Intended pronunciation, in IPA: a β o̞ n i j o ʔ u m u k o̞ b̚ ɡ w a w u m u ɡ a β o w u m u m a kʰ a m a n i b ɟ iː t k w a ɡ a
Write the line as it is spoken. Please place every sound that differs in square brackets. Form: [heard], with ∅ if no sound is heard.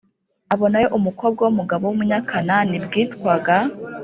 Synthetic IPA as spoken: a β o̞ n [a] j o ʔ u m u k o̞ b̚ ɡ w a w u m u ɡ a β o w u m u [ɲ] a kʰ a [n] a n i b [ɡ] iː t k w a ɡ a